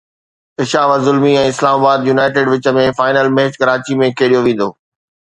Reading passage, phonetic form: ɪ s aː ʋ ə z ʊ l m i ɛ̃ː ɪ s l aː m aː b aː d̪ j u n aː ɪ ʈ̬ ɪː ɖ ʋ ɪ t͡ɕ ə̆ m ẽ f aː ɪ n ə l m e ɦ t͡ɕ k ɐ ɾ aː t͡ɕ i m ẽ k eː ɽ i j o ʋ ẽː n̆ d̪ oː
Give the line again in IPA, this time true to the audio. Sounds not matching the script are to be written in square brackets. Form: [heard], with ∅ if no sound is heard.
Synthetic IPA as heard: ɪ [ʃ] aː ʋ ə z ʊ l m i ɛ̃ː ɪ s l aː m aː b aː d̪ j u n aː ɪ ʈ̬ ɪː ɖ ʋ ɪ t͡ɕ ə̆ m ẽ f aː ɪ n ə l m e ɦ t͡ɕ k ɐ ɾ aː t͡ɕ i m ẽ k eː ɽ i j o ʋ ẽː n̆ d̪ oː